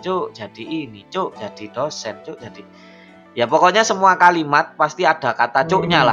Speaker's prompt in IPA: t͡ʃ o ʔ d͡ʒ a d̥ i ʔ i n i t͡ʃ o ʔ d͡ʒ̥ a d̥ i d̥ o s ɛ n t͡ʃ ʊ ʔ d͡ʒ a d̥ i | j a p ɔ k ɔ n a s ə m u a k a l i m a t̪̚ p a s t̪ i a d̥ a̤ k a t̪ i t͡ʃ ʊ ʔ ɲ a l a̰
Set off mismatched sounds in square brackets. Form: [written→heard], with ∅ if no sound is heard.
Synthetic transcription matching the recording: t͡ʃ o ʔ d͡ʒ a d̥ i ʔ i n i t͡ʃ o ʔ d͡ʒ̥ a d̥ i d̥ o s ɛ n t͡ʃ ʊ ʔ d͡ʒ a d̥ i | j a p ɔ k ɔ [n→ɲ] a s ə m u a k a l i m a t̪̚ p a s t̪ i a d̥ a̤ k a t̪ [i→a] t͡ʃ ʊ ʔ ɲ a l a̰